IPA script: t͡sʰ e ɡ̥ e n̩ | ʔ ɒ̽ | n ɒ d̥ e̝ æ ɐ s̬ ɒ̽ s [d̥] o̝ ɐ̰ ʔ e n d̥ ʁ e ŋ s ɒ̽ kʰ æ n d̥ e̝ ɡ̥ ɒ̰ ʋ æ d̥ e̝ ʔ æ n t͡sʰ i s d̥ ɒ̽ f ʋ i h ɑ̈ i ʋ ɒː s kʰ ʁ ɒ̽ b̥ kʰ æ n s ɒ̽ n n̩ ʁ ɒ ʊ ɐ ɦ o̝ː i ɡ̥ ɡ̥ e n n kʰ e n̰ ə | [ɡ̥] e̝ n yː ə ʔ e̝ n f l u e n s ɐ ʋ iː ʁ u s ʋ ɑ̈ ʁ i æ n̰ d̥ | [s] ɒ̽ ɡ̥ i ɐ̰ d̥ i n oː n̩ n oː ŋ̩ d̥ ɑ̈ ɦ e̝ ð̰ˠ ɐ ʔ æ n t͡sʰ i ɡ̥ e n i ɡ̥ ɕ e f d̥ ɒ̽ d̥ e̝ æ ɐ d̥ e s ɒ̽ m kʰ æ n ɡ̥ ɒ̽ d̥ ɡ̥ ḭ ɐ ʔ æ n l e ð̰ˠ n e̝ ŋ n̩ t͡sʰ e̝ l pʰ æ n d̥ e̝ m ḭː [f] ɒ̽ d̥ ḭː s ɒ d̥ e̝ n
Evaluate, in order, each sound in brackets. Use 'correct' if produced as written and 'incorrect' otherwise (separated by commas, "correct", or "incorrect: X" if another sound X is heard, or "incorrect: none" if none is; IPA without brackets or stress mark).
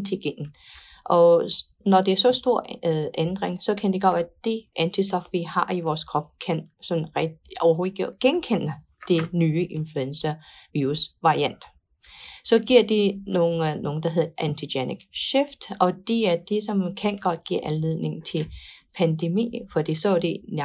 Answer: correct, incorrect: d̥, correct, correct